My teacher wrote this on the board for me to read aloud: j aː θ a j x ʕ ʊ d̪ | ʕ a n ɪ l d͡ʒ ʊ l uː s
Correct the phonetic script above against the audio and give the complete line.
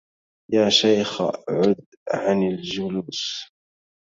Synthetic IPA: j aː ʃ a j x ʕ ʊ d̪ | ʕ a n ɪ l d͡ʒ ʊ l uː s